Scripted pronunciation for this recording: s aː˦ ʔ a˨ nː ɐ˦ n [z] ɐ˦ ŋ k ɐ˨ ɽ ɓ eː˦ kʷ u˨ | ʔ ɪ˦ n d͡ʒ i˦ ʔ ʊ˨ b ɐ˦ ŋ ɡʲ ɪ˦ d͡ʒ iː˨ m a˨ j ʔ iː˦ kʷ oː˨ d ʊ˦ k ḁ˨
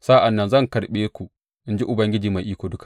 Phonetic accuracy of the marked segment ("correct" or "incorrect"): correct